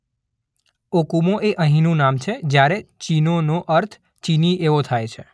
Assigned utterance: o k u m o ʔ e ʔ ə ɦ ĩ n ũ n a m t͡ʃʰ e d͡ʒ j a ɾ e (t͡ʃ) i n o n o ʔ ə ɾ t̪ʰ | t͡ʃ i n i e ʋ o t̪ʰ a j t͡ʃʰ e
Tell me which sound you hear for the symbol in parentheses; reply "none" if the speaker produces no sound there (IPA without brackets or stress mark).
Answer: t͡ʃ